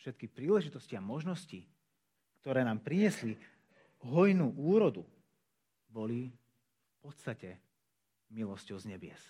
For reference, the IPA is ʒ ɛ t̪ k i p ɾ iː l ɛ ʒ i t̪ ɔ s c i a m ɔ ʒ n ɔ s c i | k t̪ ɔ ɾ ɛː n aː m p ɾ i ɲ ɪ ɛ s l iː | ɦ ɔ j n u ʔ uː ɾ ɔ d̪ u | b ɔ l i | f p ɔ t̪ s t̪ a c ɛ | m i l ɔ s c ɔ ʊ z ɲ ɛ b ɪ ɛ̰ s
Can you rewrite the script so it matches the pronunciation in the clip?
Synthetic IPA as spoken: ʃ ɛ t̪ k i p ɾ iː l ɛ ʒ i t̪ ɔ s c i a m ɔ ʒ n ɔ s c i | k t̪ ɔ ɾ ɛː n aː m p ɾ i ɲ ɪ ɛ s l i | ɦ ɔ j n u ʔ uː ɾ ɔ d̪ u | b ɔ l i | f p ɔ t̪ s t̪ a c ɛ | m i l ɔ s c ɔ ʊ z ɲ ɛ b ɪ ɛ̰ s